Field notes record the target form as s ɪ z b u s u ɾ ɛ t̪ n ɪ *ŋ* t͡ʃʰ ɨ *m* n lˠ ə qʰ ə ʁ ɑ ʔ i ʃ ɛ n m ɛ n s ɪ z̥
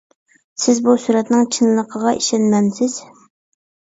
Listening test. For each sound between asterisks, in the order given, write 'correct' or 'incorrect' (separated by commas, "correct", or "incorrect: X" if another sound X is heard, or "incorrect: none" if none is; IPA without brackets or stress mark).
correct, incorrect: none